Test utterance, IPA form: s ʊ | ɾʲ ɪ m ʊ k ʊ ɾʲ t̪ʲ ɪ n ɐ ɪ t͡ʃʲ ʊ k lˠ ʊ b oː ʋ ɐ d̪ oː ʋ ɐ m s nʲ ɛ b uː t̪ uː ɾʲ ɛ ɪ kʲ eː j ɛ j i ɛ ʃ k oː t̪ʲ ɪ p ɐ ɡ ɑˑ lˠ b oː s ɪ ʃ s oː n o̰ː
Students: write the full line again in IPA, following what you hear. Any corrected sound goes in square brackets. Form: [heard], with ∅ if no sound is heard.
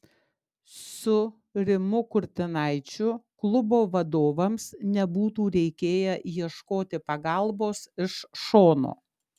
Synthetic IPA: s ʊ | ɾʲ ɪ m ʊ k ʊ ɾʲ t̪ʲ ɪ n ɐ ɪ t͡ʃʲ ʊ k lˠ ʊ b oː ʋ ɐ d̪ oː ʋ ɐ m s nʲ ɛ b uː t̪ uː ɾʲ ɛ ɪ kʲ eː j ɛ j i ɛ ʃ k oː t̪ʲ ɪ p ɐ ɡ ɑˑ lˠ b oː s ɪ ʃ [ʃ] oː n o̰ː

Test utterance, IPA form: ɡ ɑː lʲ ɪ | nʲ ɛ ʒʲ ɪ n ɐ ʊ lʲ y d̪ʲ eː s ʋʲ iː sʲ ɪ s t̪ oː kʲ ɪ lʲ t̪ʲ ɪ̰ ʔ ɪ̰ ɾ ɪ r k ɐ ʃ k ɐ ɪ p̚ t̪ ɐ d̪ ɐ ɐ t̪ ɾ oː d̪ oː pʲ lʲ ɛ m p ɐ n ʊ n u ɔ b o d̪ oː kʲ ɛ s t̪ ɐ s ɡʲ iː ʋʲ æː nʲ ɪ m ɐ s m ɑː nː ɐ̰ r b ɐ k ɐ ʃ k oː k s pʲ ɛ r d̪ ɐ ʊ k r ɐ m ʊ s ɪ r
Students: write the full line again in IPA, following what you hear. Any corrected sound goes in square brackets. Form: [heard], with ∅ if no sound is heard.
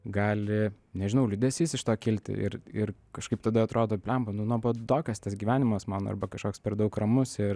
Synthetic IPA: ɡ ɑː lʲ ɪ | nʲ ɛ ʒʲ ɪ n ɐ ʊ lʲ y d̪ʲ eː s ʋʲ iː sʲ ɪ [ʃ] t̪ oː kʲ ɪ lʲ t̪ʲ ɪ̰ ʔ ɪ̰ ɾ ɪ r k ɐ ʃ k ɐ ɪ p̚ t̪ ɐ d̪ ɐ ɐ t̪ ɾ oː d̪ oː pʲ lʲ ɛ m p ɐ n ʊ n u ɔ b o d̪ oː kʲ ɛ s t̪ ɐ s ɡʲ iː ʋʲ æː nʲ ɪ m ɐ s m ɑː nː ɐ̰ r b ɐ k ɐ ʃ k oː k s pʲ ɛ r d̪ ɐ ʊ k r ɐ m ʊ s ɪ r

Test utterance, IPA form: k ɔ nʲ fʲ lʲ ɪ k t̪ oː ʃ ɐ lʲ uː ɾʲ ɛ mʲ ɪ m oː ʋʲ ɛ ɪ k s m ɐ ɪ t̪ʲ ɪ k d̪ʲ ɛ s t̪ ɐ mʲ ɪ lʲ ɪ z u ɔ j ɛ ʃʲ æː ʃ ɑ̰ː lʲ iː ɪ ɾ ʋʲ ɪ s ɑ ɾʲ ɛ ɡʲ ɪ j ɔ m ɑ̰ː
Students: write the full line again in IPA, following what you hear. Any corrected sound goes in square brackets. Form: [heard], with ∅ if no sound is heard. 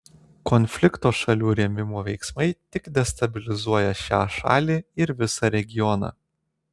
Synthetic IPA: k ɔ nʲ fʲ lʲ ɪ k t̪ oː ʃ ɐ lʲ uː ɾʲ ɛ mʲ ɪ m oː ʋʲ ɛ ɪ k s m ɐ ɪ t̪ʲ ɪ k d̪ʲ ɛ s t̪ ɐ [bʲ] ɪ lʲ ɪ z u ɔ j ɛ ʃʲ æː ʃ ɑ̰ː lʲ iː ɪ ɾ ʋʲ ɪ s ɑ ɾʲ ɛ ɡʲ ɪ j ɔ [n] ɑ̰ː

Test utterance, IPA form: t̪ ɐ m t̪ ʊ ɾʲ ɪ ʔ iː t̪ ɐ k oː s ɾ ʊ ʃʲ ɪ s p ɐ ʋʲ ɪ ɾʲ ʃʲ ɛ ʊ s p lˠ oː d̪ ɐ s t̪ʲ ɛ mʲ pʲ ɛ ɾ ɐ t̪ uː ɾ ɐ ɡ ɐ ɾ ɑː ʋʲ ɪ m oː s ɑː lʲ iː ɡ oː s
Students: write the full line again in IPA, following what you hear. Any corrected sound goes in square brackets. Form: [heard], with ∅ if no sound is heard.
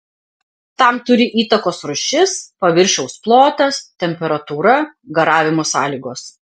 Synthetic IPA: t̪ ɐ m t̪ ʊ ɾʲ ɪ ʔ iː t̪ ɐ k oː s ɾ ʊ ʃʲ ɪ s p ɐ ʋʲ ɪ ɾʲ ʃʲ ɛ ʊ s p lˠ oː [t̪] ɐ s t̪ʲ ɛ mʲ pʲ ɛ ɾ ɐ t̪ uː ɾ ɐ ɡ ɐ ɾ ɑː ʋʲ ɪ m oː s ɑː lʲ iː ɡ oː s

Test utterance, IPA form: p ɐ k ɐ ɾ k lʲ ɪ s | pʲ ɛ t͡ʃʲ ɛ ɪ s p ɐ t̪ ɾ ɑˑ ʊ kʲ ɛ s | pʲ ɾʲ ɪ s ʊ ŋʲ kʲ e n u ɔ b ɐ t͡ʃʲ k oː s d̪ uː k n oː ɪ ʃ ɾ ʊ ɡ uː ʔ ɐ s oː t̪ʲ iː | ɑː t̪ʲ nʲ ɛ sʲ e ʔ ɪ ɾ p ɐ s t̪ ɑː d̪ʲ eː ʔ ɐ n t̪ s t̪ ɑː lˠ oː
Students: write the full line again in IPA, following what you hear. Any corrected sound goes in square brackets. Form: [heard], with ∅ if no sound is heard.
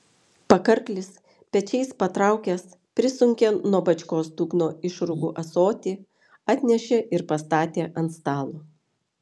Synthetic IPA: p ɐ k ɐ ɾ k lʲ ɪ s | pʲ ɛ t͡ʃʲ ɛ ɪ s p ɐ t̪ ɾ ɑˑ ʊ kʲ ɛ s | pʲ ɾʲ ɪ s ʊ ŋʲ kʲ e n u ɔ b ɐ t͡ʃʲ k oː s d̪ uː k n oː ɪ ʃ ɾ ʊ ɡ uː ʔ ɐ s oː t̪ʲ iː | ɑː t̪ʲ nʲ ɛ [ʃʲ] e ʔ ɪ ɾ p ɐ s t̪ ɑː [t̪ʲ] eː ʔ ɐ n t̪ s t̪ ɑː lˠ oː

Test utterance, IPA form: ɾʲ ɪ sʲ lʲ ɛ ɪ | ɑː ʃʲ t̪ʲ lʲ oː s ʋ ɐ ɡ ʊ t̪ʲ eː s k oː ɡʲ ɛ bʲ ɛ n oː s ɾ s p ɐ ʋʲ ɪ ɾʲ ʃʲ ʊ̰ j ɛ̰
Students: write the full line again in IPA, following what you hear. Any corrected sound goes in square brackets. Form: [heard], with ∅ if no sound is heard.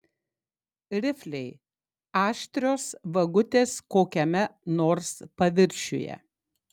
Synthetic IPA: ɾʲ ɪ [fʲ] lʲ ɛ ɪ | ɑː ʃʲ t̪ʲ [ɾʲ] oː s ʋ ɐ ɡ ʊ t̪ʲ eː s k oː [kʲ] ɛ [mʲ] ɛ n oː [∅] ɾ s p ɐ ʋʲ ɪ ɾʲ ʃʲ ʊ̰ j ɛ̰

